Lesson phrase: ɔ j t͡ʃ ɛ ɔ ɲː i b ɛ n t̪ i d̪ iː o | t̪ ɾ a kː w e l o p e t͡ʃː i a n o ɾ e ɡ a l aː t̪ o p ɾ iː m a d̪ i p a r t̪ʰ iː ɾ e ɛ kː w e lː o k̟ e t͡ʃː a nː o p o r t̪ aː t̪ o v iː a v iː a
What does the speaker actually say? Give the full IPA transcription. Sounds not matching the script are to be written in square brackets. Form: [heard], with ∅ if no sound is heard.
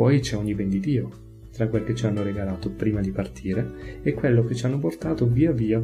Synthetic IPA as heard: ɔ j t͡ʃ ɛ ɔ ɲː i b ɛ n [d̪] i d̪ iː o | t̪ ɾ a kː w e l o [k] e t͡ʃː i a [nː] o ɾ e ɡ a l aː t̪ o p ɾ iː m a d̪ i p a r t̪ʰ iː ɾ e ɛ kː w e lː o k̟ e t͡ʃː a nː o p o r t̪ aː t̪ o v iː a v iː a